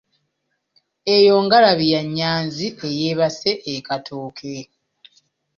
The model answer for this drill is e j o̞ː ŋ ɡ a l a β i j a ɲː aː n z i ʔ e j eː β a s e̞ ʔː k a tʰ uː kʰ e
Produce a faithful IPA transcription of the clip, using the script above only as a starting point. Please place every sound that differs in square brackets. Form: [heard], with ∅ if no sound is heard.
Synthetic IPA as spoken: e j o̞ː ŋ ɡ a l a β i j a ɲː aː n z i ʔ e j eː β a s e̞ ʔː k a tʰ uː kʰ e